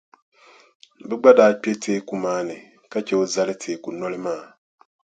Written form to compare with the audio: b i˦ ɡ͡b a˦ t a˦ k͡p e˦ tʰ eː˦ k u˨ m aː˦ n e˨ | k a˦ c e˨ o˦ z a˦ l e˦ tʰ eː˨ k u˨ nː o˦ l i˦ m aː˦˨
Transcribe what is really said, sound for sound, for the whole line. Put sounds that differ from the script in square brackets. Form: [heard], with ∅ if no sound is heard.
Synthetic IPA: b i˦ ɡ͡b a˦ [d] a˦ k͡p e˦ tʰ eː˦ k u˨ m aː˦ n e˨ | k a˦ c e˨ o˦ z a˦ l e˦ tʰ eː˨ k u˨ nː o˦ l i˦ m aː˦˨